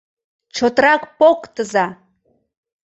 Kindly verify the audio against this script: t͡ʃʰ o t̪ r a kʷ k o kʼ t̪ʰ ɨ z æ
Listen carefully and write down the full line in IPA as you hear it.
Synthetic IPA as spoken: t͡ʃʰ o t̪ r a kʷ p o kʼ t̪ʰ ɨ z a